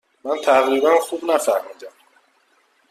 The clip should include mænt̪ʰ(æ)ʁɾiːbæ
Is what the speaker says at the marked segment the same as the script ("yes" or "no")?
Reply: yes